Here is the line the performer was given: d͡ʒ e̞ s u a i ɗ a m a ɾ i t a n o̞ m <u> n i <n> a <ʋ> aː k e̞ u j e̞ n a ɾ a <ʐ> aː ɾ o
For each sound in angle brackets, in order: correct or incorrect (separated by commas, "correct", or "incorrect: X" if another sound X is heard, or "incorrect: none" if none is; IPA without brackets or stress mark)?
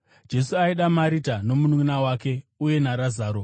correct, correct, incorrect: w, incorrect: z